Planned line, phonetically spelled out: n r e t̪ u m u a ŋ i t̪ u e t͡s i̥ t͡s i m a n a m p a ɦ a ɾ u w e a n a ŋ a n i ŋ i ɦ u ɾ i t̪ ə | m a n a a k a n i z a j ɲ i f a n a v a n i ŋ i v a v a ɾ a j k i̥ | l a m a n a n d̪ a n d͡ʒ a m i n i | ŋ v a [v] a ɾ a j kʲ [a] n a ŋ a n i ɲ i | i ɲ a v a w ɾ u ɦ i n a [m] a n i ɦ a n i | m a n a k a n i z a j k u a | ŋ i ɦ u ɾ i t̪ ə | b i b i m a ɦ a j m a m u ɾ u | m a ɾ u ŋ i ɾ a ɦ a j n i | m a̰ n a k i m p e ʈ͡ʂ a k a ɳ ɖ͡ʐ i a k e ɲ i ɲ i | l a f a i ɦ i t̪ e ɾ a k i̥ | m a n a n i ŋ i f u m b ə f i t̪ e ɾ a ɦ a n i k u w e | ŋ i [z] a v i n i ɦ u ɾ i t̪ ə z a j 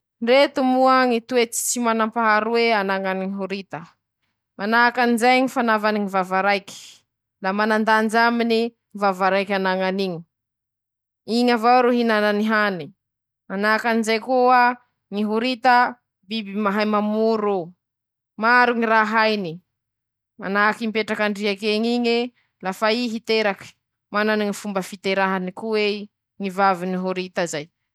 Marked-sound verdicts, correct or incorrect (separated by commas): correct, correct, incorrect, incorrect